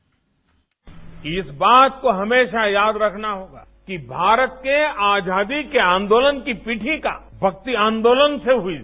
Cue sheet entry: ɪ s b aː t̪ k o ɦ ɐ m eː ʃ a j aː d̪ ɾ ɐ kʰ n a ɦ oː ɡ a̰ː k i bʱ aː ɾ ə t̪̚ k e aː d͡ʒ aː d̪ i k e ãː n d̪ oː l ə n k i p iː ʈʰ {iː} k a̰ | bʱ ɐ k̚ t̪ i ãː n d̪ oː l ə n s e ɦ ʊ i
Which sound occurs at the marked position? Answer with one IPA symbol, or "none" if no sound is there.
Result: i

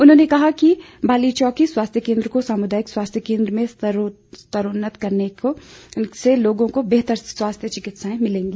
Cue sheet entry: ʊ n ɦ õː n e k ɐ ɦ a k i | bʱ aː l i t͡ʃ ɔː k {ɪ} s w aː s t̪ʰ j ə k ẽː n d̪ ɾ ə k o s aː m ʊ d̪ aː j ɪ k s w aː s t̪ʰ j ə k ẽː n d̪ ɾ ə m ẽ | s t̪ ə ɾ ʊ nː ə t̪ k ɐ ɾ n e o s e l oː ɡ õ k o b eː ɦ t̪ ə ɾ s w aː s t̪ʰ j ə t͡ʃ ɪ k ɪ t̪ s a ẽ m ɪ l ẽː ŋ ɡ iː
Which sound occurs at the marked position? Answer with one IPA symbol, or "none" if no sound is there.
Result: i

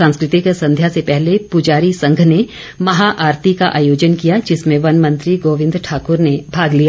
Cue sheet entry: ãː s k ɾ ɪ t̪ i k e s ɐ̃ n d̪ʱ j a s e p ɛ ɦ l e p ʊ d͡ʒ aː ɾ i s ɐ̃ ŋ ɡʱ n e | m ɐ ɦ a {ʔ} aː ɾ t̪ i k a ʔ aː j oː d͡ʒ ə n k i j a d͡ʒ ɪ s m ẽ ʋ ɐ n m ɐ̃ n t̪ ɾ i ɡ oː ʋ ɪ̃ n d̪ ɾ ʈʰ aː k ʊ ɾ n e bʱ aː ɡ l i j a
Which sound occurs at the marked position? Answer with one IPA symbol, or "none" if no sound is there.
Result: ʔ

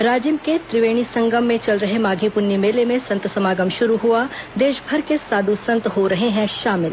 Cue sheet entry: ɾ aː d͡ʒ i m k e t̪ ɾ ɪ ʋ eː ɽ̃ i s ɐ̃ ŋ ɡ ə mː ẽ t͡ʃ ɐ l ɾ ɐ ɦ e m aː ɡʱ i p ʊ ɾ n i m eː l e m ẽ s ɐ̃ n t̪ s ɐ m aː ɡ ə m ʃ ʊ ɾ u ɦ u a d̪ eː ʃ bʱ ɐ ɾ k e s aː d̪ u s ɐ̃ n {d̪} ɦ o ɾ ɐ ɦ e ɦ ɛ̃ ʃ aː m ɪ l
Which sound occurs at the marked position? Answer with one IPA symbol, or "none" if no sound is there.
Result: t̪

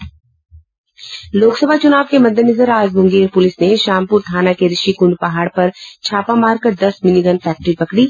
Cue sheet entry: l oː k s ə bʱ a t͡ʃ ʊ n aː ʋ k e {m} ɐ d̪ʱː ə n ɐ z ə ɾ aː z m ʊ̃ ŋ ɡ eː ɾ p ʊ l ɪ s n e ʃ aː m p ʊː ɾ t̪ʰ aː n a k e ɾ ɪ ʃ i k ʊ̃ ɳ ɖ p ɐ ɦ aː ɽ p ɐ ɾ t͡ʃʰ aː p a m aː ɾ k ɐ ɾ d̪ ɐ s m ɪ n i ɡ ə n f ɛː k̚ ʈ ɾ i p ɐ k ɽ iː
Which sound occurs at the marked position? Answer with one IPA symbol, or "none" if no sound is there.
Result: m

